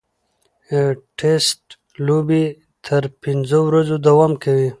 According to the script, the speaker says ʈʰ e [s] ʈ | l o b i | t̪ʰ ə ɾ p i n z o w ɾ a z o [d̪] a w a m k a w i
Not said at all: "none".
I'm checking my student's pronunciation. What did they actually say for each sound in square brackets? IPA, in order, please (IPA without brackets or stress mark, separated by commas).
s, d̪